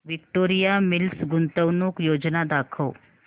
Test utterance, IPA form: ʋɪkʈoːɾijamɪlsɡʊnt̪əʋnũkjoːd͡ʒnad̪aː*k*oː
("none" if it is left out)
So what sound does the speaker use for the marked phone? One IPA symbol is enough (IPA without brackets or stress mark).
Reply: kʰ